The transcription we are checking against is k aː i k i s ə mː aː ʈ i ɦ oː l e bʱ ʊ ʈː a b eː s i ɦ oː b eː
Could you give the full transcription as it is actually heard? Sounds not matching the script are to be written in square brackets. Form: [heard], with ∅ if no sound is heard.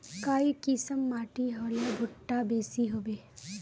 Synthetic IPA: k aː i k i s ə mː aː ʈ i ɦ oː l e bʱ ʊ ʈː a b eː s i ɦ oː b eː